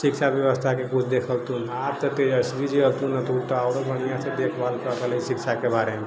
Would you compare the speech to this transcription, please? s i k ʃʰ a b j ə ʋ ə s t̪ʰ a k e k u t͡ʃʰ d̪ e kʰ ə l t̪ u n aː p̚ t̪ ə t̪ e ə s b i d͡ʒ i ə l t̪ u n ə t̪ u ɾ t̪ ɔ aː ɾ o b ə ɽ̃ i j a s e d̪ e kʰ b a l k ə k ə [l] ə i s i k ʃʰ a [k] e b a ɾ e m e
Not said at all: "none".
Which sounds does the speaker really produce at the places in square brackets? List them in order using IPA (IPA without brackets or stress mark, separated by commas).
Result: l, k